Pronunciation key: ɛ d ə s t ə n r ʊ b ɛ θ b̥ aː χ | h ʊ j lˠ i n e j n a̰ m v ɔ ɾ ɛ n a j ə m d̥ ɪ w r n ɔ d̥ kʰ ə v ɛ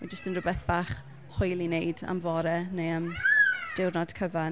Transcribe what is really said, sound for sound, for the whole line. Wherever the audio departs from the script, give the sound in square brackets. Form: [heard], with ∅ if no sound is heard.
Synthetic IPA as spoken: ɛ [d͡ʒ] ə s t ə n r ʊ b ɛ θ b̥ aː χ | h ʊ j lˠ i n e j [d] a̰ m v ɔ ɾ ɛ n [e] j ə m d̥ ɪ w r n ɔ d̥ kʰ ə v [a]